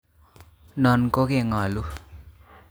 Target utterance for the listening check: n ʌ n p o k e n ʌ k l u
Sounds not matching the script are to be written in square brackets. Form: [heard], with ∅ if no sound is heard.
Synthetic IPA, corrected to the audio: n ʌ n [k] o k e [ŋ] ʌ [∅] l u